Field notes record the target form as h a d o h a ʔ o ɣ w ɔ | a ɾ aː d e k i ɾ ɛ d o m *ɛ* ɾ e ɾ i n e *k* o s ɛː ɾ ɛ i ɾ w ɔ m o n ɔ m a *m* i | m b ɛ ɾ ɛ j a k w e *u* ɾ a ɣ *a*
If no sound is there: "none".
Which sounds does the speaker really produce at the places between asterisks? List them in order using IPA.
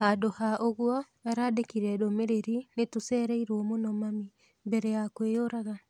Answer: e, t, m, o, a

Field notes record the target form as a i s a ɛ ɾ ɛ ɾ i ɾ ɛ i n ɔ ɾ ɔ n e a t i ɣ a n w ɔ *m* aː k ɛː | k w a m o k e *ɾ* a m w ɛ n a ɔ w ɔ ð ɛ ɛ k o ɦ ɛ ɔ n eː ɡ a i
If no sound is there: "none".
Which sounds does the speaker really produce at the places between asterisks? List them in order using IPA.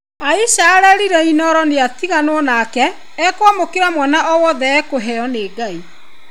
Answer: n, ɾ

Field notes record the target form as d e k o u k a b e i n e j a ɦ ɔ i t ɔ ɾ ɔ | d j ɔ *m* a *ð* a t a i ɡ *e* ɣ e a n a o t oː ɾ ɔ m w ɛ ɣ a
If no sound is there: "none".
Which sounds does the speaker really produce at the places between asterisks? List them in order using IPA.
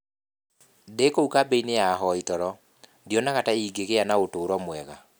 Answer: n, ɣ, e

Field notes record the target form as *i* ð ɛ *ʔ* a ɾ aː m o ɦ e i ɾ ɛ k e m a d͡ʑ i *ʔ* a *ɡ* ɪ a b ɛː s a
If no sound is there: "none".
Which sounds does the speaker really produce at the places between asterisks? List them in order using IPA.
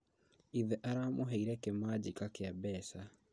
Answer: i, ʔ, k, k

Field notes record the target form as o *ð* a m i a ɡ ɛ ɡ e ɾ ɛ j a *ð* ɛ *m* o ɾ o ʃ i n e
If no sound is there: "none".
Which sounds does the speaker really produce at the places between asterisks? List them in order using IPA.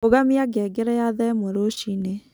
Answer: ɣ, ð, m

